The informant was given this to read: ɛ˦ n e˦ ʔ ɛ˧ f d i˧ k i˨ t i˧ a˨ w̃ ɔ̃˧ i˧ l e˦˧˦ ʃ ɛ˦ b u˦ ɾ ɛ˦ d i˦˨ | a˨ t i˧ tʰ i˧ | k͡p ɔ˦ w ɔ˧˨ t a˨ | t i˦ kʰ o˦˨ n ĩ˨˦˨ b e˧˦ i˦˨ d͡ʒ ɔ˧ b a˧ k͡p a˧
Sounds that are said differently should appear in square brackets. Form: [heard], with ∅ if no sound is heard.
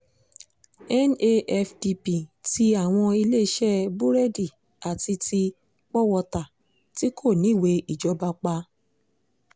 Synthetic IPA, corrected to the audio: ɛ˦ n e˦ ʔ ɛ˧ f d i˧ [p] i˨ t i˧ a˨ w̃ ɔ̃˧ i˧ l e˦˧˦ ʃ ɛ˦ b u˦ ɾ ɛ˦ d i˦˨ | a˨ t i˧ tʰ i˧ | k͡p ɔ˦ w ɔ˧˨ t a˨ | t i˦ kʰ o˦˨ n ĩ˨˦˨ [w] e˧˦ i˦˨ d͡ʒ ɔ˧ b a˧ k͡p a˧